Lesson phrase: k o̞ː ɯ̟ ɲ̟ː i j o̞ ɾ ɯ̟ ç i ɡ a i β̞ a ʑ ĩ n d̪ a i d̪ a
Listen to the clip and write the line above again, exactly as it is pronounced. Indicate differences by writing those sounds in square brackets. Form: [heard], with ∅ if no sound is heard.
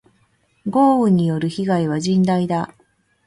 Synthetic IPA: [ɡ] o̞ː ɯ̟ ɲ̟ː i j o̞ ɾ ɯ̟ ç i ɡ a i β̞ a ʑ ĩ n d̪ a i d̪ a